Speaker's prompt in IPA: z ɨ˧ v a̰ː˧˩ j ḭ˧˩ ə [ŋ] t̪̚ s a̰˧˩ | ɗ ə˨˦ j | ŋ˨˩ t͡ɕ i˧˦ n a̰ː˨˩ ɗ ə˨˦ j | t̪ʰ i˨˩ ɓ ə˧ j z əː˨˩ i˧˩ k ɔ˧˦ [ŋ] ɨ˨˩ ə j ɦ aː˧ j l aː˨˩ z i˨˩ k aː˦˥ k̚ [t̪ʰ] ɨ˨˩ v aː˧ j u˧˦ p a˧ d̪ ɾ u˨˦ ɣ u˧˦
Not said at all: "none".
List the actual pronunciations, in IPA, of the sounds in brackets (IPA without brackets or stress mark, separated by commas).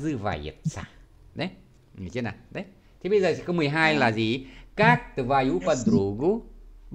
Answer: none, m, t̪